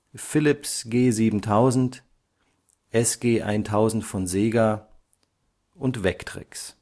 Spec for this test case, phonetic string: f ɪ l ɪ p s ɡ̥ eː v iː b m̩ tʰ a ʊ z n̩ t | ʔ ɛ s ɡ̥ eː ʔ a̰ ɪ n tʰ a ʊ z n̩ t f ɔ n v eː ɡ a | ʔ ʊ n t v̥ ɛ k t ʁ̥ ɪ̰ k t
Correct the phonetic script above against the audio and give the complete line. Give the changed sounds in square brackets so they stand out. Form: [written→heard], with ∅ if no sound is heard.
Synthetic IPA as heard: f ɪ l ɪ p s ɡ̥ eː [v→z] iː b m̩ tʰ a ʊ z n̩ t | ʔ ɛ s ɡ̥ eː ʔ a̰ ɪ n tʰ a ʊ z n̩ t f ɔ n [v→z] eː ɡ a | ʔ ʊ n t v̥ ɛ k t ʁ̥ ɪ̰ k [t→s]